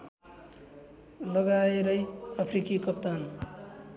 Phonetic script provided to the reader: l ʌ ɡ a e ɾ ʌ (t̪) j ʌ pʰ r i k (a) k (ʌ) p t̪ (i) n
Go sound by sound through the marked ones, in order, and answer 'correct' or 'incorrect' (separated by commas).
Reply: incorrect, incorrect, correct, incorrect